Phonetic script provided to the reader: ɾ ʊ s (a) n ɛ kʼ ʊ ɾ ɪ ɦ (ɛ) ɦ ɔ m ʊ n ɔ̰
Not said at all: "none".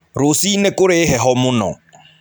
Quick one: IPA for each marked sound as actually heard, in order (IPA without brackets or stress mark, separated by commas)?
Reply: i, ɛ